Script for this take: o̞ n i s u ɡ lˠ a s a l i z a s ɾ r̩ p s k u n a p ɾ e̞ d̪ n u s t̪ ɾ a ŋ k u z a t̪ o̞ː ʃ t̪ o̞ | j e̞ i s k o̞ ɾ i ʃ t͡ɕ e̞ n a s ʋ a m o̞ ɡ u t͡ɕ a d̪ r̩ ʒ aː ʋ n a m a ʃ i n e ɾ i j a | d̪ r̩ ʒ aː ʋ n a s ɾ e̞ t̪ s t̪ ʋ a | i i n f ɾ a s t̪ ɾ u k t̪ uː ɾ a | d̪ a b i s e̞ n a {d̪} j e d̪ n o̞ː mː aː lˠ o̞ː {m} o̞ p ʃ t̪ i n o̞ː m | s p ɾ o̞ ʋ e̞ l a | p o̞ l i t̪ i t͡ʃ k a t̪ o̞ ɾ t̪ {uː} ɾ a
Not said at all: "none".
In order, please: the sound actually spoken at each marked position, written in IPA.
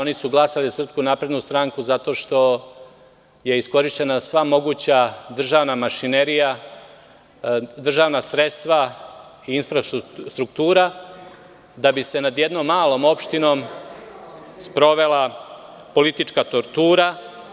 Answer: d̪, m, uː

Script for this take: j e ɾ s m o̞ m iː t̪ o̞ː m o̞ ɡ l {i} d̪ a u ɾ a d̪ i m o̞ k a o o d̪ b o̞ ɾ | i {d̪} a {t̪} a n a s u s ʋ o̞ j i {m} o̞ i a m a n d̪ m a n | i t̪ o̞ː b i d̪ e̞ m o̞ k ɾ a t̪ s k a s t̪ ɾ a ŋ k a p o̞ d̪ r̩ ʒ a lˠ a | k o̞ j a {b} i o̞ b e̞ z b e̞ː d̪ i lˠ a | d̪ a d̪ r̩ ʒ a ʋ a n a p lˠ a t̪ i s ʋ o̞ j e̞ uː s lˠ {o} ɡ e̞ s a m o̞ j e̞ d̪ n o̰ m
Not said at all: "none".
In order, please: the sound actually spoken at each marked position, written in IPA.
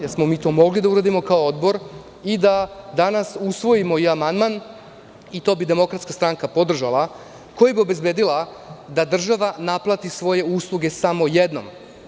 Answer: i, d̪, d̪, m, b, u

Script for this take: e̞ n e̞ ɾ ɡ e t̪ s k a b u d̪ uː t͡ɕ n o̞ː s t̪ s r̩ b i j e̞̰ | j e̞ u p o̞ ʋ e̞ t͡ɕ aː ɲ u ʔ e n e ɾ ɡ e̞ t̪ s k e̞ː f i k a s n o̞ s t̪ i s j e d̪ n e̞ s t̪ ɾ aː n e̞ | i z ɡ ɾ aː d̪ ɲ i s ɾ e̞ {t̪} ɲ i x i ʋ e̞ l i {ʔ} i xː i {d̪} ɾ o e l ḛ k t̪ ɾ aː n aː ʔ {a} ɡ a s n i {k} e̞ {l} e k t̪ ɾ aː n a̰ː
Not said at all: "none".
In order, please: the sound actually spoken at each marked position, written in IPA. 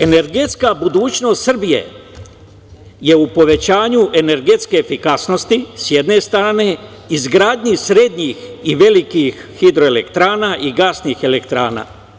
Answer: d̪, k, d̪, i, x, l

